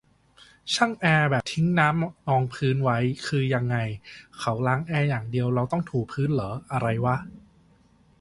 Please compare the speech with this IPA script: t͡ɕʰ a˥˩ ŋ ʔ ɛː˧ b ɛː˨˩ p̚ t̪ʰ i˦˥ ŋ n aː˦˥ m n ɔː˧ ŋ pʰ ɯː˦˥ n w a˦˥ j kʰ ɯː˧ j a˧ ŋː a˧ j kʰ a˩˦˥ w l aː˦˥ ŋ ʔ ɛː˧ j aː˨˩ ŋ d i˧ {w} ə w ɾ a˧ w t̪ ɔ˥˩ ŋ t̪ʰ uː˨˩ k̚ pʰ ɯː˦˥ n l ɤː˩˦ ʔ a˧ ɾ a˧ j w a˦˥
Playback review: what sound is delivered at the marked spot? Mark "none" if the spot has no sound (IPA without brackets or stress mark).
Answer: none